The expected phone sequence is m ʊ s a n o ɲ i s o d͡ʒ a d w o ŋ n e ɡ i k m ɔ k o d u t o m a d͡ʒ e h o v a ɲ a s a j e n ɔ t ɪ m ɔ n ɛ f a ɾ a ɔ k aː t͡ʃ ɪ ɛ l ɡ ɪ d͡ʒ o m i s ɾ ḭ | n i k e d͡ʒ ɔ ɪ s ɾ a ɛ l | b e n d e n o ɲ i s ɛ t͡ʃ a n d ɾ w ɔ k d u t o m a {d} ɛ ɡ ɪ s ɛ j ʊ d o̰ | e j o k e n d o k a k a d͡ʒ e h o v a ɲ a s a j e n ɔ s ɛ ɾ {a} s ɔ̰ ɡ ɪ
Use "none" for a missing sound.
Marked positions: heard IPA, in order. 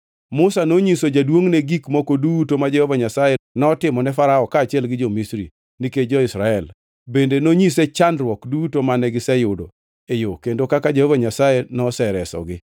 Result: n, ɛ

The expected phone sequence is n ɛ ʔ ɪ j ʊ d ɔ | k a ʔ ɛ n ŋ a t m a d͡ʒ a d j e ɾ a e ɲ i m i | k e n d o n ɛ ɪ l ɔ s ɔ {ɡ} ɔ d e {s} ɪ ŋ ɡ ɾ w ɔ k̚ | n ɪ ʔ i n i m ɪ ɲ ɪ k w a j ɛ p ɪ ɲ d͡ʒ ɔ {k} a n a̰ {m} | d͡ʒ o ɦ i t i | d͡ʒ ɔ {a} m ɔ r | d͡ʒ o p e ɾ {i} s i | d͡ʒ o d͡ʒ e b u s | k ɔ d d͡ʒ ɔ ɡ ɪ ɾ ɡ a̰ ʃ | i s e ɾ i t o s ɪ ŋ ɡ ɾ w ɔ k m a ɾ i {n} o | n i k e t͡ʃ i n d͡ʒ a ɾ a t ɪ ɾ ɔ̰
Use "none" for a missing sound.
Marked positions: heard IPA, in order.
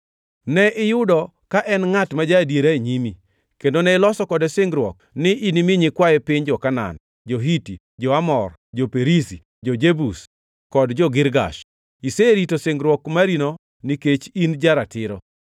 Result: k, s, k, n, a, i, n

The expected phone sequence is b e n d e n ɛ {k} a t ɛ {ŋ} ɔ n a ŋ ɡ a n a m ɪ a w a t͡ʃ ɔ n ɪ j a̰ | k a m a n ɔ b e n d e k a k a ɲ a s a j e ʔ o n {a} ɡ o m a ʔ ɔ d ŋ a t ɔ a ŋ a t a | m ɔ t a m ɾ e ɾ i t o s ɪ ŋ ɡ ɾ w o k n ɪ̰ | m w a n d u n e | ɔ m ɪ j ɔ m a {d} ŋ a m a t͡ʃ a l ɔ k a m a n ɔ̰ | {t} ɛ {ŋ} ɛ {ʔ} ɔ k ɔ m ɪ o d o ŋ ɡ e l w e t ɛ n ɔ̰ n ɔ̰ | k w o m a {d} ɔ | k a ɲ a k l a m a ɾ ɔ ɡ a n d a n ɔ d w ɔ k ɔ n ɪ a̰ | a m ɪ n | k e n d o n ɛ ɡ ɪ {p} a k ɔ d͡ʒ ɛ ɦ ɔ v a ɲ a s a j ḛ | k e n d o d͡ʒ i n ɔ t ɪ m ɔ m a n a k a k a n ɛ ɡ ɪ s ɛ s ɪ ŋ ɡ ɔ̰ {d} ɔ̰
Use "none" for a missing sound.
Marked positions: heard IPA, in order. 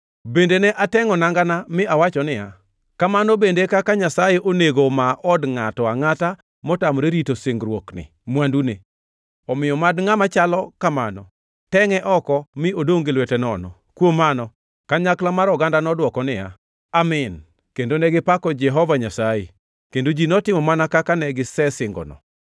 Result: ʔ, ŋ, e, d, t, ŋ, ʔ, n, p, n

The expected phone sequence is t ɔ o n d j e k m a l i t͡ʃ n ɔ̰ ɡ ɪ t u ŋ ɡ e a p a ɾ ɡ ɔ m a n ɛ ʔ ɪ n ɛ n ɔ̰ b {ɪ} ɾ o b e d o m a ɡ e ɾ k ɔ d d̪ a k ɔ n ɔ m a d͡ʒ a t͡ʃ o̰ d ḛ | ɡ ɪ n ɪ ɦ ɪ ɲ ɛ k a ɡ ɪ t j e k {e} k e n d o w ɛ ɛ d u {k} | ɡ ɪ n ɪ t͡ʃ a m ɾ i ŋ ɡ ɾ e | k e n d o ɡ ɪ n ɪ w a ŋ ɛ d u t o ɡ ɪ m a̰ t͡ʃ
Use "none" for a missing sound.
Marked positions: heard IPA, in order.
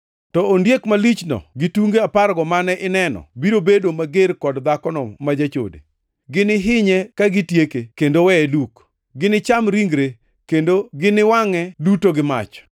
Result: i, e, k

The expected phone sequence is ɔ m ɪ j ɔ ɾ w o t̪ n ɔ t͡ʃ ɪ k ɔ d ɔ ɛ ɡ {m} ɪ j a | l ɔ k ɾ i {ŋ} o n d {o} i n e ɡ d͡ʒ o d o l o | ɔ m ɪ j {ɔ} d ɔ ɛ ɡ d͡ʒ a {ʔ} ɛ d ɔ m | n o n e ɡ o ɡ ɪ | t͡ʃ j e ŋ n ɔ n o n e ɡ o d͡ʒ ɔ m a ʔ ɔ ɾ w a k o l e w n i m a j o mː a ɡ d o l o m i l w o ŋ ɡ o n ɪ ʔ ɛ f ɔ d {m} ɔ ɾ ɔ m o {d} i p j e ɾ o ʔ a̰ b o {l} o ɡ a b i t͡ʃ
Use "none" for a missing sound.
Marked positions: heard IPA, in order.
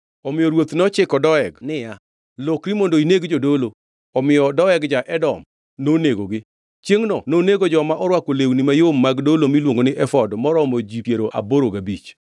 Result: n, m, o, ɔ, ʔ, m, d͡ʒ, ɾ

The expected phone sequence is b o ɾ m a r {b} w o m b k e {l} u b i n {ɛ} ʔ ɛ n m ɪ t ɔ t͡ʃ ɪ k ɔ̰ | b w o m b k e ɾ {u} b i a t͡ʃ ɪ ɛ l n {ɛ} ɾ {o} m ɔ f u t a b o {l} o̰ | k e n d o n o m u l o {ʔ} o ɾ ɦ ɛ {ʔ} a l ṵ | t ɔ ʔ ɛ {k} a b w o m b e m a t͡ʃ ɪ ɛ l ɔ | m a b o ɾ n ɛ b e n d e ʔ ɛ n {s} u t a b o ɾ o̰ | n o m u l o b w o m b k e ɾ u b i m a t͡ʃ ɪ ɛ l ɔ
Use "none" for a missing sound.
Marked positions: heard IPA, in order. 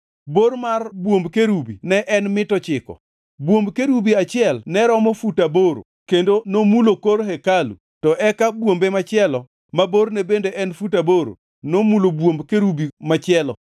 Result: b, ɾ, ɛ, u, ɛ, ɔ, ɾ, k, k, k, f

